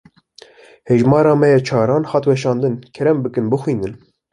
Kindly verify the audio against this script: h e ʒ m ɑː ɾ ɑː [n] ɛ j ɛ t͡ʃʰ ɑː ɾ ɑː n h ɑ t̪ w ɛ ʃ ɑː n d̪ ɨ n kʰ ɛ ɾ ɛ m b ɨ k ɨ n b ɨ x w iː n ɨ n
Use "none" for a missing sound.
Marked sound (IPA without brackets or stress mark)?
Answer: m